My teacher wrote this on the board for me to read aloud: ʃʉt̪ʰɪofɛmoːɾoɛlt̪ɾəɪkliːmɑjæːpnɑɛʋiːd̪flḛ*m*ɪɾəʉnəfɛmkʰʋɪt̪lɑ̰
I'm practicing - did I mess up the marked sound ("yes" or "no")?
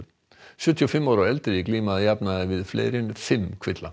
yes